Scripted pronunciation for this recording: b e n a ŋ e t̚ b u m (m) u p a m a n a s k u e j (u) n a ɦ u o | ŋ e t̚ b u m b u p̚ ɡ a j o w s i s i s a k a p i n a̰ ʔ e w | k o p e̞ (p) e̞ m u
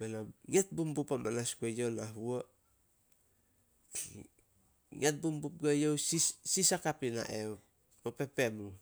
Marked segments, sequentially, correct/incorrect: incorrect, incorrect, correct

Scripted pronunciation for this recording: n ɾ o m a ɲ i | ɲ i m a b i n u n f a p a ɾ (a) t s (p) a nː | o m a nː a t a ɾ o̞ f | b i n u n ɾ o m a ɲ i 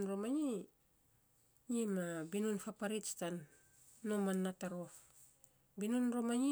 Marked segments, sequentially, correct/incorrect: incorrect, incorrect

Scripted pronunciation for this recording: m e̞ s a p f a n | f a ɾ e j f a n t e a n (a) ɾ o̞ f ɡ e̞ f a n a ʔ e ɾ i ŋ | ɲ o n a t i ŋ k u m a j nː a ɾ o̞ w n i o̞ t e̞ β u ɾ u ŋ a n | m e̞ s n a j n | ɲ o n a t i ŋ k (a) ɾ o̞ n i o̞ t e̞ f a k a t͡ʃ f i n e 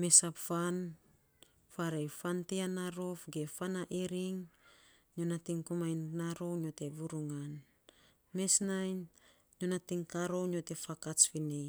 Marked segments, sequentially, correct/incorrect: correct, correct

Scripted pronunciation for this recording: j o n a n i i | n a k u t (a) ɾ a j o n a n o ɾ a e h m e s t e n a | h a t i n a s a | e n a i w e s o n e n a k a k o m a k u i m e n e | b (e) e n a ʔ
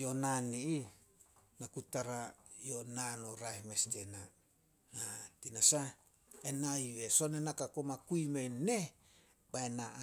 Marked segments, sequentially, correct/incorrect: correct, incorrect

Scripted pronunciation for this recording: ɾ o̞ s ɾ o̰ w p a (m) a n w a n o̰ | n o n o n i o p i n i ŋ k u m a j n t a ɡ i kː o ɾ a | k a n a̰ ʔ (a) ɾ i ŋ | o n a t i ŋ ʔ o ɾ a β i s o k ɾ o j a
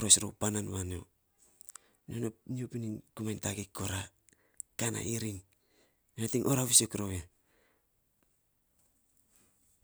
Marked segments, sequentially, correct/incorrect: incorrect, incorrect

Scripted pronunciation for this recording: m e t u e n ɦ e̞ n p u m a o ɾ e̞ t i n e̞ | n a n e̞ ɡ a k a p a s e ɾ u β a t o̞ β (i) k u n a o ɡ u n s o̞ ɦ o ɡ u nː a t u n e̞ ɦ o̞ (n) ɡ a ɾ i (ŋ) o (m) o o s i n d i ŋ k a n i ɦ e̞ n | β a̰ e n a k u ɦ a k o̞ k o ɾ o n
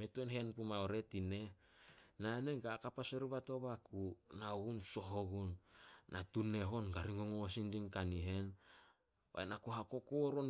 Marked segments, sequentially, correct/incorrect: incorrect, correct, correct, incorrect

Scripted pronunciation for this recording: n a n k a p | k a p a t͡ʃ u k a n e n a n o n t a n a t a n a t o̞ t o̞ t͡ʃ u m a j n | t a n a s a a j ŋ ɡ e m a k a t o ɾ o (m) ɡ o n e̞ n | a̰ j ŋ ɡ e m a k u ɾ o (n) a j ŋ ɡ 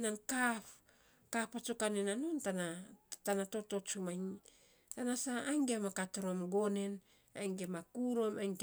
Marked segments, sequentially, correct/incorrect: correct, incorrect

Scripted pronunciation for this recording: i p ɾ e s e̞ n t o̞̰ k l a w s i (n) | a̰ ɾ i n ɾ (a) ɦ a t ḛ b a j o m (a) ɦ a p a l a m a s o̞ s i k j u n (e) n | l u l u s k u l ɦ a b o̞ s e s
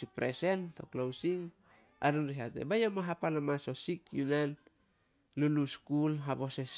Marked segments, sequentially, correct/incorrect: incorrect, incorrect, correct, incorrect

